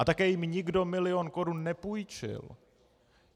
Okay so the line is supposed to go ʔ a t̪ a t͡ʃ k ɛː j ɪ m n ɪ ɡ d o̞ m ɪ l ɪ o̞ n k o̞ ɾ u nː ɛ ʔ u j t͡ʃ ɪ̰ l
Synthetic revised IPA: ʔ a t̪ a k ɛː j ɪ m ɲ ɪ ɡ d o̞ m ɪ l ɪ o̞ n k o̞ ɾ u nː ɛ p u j t͡ʃ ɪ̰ l